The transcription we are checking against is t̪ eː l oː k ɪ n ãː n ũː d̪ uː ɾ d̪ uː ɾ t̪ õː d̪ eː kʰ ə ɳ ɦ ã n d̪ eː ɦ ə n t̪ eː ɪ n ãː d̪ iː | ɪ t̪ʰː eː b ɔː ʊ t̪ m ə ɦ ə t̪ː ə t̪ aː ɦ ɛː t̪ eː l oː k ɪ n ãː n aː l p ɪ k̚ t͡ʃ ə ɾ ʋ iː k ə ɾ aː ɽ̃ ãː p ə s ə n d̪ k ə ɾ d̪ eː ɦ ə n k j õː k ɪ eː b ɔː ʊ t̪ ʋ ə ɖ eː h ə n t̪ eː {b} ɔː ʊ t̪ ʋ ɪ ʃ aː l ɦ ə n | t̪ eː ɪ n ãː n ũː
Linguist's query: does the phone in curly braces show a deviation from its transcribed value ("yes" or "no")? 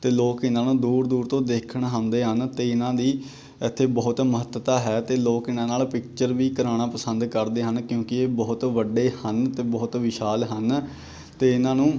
no